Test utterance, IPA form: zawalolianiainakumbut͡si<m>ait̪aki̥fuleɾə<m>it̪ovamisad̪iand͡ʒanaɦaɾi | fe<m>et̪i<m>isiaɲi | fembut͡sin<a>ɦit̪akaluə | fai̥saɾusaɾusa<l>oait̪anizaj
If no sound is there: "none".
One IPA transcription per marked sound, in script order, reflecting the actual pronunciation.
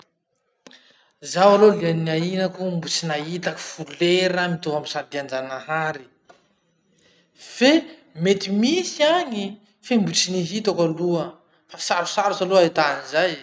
n, m, m, m, i, l

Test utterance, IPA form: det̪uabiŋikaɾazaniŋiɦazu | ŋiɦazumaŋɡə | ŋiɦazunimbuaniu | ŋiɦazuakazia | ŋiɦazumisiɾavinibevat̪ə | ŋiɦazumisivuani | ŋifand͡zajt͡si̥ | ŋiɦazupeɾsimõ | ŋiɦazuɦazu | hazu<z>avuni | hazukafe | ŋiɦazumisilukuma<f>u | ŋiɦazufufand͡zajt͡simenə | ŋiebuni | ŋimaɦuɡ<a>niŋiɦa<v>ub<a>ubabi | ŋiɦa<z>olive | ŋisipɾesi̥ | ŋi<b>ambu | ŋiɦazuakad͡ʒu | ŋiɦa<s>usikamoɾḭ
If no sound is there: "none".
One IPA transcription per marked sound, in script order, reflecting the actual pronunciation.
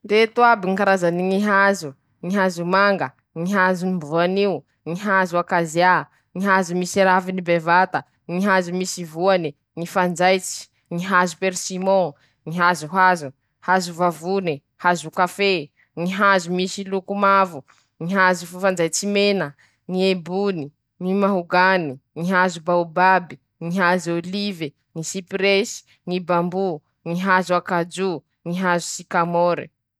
v, v, a, z, a, z, b, z

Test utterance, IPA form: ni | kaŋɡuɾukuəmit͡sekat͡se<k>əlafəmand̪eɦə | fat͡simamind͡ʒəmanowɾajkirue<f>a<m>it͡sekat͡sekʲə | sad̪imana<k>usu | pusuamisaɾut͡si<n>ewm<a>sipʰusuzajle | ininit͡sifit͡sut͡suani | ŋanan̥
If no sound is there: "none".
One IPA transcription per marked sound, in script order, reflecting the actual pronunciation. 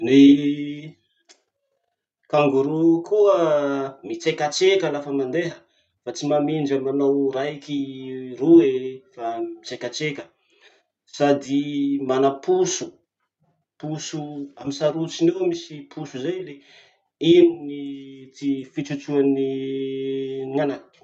k, f, m, p, n, i

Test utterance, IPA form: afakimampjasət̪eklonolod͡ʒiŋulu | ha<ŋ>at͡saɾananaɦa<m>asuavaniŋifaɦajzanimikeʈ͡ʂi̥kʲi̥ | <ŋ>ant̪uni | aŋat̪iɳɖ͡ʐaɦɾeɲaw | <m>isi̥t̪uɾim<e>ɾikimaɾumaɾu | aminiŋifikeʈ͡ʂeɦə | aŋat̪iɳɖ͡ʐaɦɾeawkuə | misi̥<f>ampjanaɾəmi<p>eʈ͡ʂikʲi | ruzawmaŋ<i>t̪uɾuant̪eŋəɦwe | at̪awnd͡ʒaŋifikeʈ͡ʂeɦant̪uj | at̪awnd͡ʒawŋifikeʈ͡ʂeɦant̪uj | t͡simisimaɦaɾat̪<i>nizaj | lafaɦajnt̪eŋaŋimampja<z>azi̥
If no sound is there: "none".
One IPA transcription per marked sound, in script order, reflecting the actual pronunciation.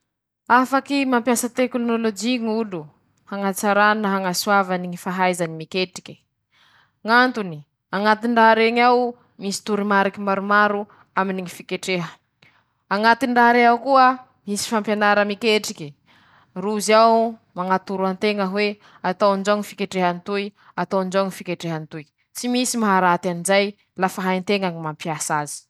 ŋ, ŋ, ŋ, m, a, f, k, a, a, s

